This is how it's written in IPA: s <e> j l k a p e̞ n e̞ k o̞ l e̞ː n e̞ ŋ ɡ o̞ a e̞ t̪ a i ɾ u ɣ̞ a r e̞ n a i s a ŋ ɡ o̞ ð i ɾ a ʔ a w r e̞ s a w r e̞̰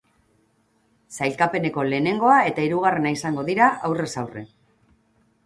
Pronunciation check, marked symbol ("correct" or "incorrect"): incorrect